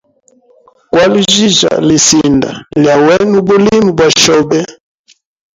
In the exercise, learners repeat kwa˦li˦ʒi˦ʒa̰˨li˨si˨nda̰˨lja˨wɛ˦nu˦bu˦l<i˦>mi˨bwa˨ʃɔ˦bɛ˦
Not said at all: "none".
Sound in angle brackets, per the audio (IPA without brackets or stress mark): i˦